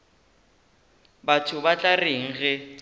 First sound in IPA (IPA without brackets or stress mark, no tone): b